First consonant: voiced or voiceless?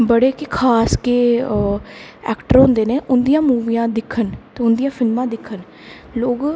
voiced